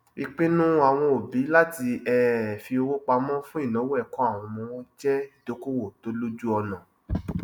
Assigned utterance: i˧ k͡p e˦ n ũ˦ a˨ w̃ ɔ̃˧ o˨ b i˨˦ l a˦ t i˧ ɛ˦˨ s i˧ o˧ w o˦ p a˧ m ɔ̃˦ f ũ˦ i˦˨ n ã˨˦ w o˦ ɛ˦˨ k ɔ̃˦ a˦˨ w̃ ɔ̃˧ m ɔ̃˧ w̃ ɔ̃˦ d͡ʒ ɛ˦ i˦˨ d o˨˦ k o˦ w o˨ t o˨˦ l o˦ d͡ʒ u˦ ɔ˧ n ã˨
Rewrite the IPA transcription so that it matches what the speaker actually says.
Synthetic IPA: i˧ k͡p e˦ n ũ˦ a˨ w̃ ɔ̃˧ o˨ b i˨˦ l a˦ t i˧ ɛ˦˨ f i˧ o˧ w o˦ k͡p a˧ m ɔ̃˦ f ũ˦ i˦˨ n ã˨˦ w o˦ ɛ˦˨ k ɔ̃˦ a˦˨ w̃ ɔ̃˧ m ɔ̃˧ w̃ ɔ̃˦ d͡ʒ ɛ˦ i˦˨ d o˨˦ k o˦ w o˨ t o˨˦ l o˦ d͡ʒ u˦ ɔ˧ n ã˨